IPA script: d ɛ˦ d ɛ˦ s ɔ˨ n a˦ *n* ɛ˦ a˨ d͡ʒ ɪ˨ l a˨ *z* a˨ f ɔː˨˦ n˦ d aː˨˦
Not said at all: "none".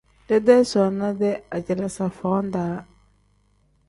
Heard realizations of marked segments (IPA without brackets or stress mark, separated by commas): d, s